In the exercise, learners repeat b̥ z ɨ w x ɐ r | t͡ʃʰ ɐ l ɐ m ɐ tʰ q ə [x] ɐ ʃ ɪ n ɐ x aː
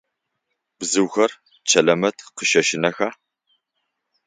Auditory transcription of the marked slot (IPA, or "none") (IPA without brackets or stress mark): ʃ